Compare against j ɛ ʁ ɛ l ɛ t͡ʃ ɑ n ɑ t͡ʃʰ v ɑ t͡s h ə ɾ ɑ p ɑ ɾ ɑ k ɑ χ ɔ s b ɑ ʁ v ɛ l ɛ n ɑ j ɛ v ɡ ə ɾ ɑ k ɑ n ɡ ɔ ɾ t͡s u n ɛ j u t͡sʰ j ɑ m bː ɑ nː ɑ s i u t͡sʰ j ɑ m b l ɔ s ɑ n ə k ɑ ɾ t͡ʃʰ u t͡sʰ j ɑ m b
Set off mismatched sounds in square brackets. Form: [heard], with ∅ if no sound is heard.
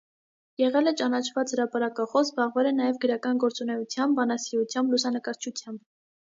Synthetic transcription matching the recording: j ɛ ʁ ɛ l ɛ t͡ʃ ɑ n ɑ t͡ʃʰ v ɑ t͡s h ə ɾ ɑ p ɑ ɾ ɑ k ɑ χ ɔ s b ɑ ʁ v ɛ l ɛ n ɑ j ɛ v ɡ ə ɾ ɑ k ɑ n ɡ ɔ ɾ t͡s u n ɛ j u t͡sʰ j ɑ m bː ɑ [n] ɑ s i u t͡sʰ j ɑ m b l [u] s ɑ n ə k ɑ ɾ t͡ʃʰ u t͡sʰ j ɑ m b